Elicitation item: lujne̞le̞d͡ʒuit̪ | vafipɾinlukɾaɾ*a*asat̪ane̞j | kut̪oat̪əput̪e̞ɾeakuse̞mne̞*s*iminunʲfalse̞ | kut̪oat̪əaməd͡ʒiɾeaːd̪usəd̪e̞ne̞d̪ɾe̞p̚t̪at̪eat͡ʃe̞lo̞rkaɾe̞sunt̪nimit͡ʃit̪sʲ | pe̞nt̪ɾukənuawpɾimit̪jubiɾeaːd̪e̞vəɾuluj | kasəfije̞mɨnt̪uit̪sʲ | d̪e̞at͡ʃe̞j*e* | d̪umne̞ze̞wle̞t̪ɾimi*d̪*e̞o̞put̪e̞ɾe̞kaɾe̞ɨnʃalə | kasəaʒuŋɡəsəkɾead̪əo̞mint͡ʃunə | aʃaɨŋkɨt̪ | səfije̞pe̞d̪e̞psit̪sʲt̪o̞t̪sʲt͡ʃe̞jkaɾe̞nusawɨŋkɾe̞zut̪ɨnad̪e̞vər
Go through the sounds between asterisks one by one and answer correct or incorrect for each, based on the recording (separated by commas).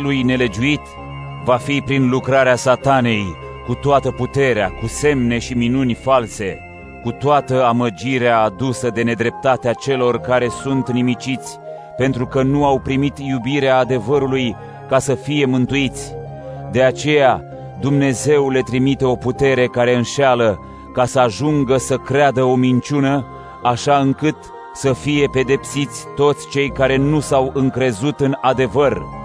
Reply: incorrect, incorrect, incorrect, incorrect